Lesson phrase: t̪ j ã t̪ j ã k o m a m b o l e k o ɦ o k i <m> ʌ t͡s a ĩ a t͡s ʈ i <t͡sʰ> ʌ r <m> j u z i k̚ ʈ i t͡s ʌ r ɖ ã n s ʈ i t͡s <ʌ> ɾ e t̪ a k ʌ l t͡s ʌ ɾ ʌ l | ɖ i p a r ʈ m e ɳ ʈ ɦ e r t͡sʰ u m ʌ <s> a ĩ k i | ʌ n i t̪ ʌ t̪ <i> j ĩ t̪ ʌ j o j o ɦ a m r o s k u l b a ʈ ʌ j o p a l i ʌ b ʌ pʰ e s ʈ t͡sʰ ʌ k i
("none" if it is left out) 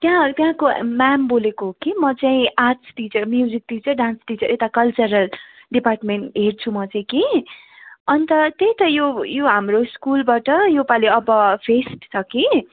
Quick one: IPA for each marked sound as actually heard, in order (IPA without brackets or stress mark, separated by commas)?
m, t͡s, m, ʌ, t͡s, e